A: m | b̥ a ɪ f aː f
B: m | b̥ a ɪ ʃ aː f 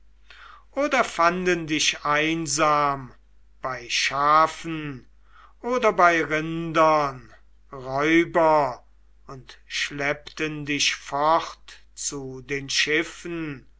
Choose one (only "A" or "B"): B